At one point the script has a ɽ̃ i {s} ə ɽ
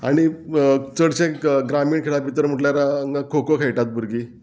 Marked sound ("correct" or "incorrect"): incorrect